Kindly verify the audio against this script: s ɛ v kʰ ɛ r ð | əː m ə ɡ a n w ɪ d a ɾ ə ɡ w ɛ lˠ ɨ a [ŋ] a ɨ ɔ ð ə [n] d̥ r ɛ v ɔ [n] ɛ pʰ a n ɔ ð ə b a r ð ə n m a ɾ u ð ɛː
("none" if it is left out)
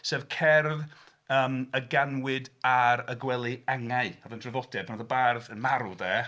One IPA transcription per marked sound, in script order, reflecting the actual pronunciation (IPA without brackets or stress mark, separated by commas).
ŋ, n, d